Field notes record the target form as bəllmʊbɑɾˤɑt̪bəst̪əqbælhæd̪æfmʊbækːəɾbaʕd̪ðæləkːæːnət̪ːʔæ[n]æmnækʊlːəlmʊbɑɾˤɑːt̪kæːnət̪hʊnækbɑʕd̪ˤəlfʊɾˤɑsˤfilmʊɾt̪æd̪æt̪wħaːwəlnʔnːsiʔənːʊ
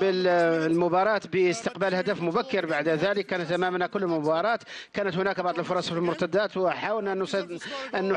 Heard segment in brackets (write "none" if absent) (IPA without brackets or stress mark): m